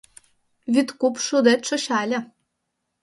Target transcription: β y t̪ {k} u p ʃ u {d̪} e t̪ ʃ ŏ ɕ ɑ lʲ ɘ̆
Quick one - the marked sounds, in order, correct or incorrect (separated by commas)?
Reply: correct, correct